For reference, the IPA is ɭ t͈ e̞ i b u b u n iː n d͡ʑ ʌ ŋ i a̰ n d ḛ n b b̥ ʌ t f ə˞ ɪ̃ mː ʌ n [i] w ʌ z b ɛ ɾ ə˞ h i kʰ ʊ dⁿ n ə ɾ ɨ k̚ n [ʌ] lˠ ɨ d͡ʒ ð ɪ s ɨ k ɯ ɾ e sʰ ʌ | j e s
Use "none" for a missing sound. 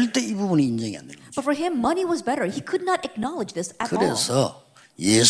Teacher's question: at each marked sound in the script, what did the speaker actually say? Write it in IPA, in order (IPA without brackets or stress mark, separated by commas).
i, ɑ